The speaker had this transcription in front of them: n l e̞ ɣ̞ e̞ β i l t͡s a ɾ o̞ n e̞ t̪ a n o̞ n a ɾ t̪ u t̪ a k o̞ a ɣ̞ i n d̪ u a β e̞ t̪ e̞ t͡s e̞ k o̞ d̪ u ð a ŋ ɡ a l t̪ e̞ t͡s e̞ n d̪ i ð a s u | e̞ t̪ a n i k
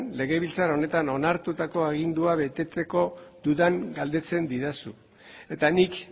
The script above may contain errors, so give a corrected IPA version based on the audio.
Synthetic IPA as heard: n l e̞ ɣ̞ e̞ β i l t͡s a ɾ o̞ n e̞ t̪ a n o̞ n a ɾ t̪ u t̪ a k o̞ a ɣ̞ i n d̪ u a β e̞ t̪ e̞ t͡s e̞ k o̞ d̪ u ð a ŋ ɡ a l d̪ e̞ t͡s e̞ n d̪ i ð a s u | e̞ t̪ a n i k